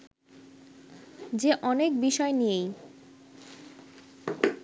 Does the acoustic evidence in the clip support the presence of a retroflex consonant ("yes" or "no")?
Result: no